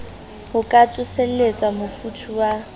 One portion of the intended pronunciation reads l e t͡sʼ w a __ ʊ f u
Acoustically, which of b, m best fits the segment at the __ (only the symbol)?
m